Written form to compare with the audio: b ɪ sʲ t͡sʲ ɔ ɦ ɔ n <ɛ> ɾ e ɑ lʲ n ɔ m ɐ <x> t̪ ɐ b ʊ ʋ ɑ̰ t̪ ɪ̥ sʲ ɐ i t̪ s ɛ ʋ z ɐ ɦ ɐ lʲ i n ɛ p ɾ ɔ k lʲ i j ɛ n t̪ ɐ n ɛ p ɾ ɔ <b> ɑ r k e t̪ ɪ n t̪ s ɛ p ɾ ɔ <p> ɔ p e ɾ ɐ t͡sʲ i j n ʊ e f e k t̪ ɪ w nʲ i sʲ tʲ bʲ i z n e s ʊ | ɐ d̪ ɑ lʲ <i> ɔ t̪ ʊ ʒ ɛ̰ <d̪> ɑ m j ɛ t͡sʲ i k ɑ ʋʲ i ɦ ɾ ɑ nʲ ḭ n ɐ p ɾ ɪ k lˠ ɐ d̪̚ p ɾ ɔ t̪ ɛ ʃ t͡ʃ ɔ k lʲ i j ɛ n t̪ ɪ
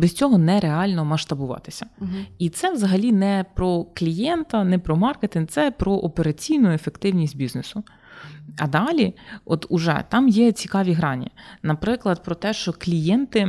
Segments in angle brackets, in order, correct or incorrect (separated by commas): correct, incorrect, incorrect, incorrect, correct, incorrect